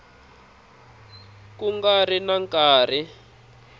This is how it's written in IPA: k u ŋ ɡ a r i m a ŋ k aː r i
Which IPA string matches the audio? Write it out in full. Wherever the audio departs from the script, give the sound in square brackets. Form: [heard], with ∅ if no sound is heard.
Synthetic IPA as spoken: k u ŋ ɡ a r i [n] a ŋ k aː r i